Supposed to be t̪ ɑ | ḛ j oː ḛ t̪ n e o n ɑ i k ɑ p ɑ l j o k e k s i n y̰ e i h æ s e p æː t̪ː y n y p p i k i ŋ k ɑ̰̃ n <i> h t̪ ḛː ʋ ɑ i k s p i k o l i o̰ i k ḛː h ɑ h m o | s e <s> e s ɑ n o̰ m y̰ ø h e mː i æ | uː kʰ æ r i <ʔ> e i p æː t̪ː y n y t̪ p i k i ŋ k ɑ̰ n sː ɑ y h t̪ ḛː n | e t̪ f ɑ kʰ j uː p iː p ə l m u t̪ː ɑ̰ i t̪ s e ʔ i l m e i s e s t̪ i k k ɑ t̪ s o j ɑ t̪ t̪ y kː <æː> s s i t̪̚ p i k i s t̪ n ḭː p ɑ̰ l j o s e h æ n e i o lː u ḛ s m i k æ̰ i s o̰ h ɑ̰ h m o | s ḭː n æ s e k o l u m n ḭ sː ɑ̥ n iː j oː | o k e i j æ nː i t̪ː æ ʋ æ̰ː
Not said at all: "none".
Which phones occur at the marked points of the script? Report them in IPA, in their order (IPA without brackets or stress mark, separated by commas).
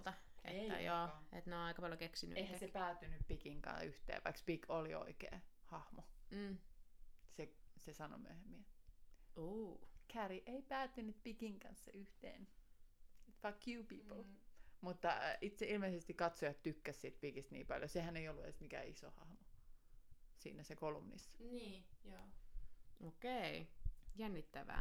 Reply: y, s, ʔ, æ